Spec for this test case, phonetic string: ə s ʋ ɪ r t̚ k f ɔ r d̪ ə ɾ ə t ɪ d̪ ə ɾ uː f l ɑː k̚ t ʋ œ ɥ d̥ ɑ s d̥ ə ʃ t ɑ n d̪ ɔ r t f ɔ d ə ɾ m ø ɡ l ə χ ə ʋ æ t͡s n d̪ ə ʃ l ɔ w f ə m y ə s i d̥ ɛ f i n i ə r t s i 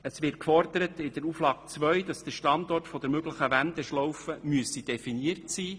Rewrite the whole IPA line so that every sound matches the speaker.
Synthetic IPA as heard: ə s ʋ ɪ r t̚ k f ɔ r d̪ ə ɾ ə t ɪ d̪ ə ɾ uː f l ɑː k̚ t͡s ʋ œ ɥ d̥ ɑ s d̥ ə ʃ t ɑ n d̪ ɔ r t f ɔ d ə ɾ m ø ɡ l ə χ ə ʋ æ n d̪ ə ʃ l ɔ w f ə m y ə s i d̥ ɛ f i n i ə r t s iː